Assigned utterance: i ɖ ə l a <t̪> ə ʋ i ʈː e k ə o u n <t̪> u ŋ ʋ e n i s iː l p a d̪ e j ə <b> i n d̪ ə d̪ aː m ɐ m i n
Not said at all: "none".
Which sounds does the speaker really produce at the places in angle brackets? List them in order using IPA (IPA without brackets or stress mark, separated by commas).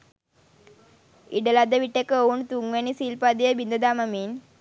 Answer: d̪, t̪, b